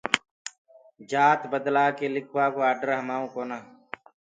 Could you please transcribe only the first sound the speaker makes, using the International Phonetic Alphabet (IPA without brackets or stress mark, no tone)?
d͡ʒ